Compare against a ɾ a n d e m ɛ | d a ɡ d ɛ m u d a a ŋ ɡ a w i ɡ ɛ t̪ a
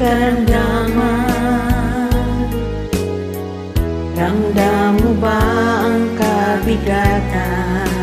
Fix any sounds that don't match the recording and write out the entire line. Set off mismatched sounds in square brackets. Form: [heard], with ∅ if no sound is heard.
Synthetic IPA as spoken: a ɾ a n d [a] m [a] | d a [ŋ] d [a] m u [b] a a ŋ [k] a [b] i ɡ [a] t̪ a